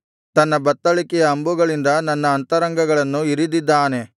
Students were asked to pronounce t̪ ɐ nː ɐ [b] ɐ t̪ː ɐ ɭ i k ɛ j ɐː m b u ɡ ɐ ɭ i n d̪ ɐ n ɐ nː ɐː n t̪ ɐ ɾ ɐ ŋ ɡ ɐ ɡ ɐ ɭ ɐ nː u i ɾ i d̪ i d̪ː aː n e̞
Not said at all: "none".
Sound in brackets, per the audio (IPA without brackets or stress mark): b